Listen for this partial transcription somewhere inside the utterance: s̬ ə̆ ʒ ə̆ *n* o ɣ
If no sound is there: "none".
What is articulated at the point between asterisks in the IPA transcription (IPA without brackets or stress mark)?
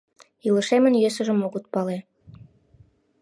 m